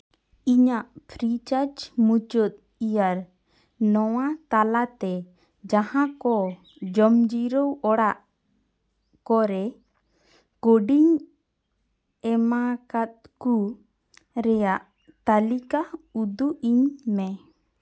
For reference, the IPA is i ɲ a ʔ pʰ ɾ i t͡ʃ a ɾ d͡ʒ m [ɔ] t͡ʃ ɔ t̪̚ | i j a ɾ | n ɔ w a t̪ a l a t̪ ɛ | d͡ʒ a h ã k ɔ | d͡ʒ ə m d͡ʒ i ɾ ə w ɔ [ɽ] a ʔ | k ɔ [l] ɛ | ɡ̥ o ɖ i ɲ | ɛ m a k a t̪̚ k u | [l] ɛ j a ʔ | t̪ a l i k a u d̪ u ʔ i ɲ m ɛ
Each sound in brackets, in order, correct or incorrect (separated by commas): incorrect, correct, incorrect, incorrect